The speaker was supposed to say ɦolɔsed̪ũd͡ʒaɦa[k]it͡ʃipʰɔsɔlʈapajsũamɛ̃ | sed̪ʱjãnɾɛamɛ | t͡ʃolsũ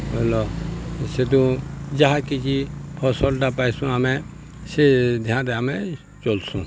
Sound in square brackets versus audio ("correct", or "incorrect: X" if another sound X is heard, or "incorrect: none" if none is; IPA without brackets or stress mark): correct